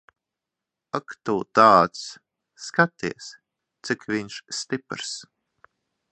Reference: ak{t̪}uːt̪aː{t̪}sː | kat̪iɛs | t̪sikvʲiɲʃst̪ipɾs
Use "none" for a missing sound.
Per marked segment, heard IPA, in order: t̪, t̪

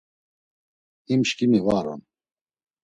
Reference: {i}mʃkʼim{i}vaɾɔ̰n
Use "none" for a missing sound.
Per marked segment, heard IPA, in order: i, i

